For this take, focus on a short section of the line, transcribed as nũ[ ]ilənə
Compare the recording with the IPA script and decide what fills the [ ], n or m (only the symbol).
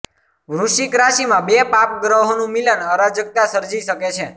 m